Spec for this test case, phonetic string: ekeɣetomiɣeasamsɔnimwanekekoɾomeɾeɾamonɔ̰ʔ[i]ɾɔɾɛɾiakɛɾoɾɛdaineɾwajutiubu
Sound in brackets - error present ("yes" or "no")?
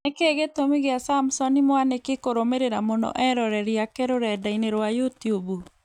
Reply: yes